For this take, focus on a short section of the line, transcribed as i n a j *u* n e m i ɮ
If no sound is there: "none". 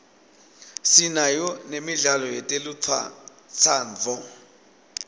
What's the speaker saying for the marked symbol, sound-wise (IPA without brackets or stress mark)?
ɔ